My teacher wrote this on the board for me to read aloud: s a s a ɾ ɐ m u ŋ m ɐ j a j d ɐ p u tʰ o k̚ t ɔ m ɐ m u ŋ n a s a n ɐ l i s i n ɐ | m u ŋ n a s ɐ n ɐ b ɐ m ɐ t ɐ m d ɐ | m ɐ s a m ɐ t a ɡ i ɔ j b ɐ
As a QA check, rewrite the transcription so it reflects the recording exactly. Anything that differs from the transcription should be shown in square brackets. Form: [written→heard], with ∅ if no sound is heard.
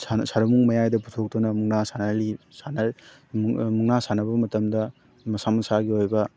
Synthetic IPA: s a s a ɾ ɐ m u ŋ m ɐ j a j d ɐ p u tʰ o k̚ t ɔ [m→n] ɐ m u ŋ n a s a n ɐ l i s [i→a] n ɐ | m u ŋ n a s [ɐ→a] n ɐ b ɐ m ɐ t ɐ m d ɐ | m ɐ s a m ɐ [t→s] a ɡ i [ɔ→o] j b ɐ